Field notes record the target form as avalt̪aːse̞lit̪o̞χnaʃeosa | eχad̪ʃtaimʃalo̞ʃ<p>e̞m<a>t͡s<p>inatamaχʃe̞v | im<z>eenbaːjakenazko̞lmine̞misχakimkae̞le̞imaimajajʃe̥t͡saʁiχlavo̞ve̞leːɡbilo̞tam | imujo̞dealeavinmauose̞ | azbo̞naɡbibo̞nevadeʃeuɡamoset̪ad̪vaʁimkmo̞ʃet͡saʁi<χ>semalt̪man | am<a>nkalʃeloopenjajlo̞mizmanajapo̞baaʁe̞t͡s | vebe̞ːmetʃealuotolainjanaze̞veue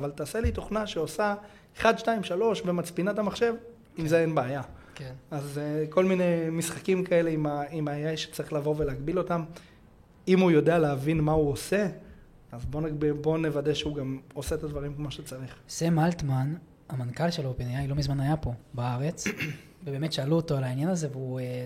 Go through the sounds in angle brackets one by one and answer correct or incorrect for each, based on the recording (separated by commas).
incorrect, correct, correct, correct, correct, correct